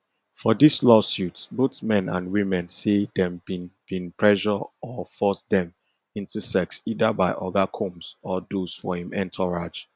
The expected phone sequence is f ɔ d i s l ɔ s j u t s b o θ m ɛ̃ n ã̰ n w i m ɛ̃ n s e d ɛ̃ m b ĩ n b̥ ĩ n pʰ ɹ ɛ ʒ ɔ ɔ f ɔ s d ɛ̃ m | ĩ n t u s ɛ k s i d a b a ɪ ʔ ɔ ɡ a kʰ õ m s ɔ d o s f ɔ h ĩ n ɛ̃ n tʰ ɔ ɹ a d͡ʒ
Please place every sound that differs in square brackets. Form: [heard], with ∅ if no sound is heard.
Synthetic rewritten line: f ɔ d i s l ɔ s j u t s b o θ m ɛ̃ n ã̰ n w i m ɛ̃ n s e d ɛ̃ m b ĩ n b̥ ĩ n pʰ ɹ ɛ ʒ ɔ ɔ f ɔ s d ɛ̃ m | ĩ n t u s ɛ k s i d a b a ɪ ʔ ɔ ɡ a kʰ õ m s ɔ d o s f ɔ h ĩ [m] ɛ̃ n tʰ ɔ ɹ a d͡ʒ

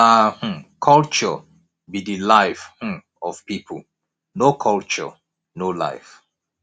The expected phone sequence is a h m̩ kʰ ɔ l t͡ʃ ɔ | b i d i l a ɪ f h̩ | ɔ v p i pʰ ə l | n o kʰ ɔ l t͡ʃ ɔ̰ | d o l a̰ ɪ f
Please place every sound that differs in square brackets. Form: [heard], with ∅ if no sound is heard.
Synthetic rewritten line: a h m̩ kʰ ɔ l t͡ʃ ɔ | b i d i l a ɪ f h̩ | ɔ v p i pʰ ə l | n o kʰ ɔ l t͡ʃ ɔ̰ | [n] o l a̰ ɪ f

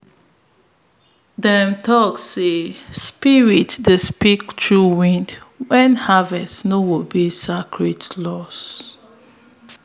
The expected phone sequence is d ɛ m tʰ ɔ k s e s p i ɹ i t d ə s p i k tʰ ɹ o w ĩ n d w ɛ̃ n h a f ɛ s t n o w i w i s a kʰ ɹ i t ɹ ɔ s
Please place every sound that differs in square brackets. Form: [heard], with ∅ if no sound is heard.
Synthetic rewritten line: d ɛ m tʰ ɔ k s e s p i ɹ i t d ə s p i k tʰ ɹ [u] w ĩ n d w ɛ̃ n h a [v] ɛ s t n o w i [b] i s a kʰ ɹ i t [l] ɔ s

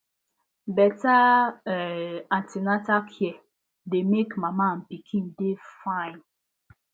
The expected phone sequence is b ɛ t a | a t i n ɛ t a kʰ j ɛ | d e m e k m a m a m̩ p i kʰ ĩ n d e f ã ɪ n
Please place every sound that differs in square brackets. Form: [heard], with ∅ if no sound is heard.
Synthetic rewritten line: b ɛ t a | a t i n [a] t a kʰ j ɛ | d e m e k m a m a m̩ p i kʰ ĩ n d e f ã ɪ n

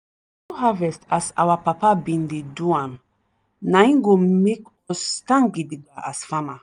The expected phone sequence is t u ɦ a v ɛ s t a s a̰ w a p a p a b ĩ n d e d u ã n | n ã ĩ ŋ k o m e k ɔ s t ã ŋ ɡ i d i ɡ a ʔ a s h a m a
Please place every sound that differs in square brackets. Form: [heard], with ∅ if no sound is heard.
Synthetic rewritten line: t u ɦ a v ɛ s t a s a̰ w a p a p a b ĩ n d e d u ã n | n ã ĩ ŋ [ɡ] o m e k ɔ s t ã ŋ ɡ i d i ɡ a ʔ a s [f] a m a

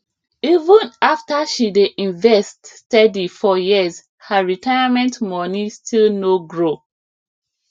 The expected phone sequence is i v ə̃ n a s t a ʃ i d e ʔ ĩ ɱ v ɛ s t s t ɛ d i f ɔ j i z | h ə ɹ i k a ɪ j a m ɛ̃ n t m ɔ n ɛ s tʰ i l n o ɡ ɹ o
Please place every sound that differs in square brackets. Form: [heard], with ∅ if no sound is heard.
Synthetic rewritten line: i v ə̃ n a [f] t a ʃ i d e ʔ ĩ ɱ v ɛ s t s t ɛ d i f ɔ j i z | h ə ɹ i [t] a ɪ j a m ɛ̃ n t m ɔ n [i] s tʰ i l n o ɡ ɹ o

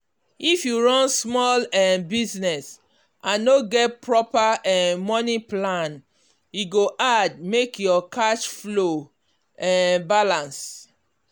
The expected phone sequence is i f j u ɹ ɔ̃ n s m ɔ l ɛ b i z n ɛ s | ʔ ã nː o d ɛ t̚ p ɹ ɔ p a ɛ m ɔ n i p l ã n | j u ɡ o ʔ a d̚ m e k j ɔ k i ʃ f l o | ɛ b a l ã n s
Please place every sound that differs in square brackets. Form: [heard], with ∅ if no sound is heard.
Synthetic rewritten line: i f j u ɹ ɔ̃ n s m ɔ l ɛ b i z n ɛ s | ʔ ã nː o [ɡ] ɛ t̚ p ɹ ɔ p a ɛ m ɔ n i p l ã n | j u ɡ o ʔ a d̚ m e k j ɔ k [a] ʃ f l o | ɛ b a l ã n s

